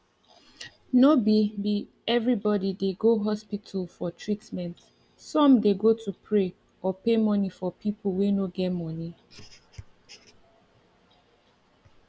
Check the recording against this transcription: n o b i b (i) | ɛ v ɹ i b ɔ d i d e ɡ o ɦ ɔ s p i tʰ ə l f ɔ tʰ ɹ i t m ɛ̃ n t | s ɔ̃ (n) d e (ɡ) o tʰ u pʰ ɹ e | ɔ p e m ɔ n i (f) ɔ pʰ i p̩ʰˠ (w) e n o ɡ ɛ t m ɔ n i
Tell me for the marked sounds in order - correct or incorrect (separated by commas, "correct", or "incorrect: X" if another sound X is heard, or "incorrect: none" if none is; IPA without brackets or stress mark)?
correct, incorrect: m, correct, correct, correct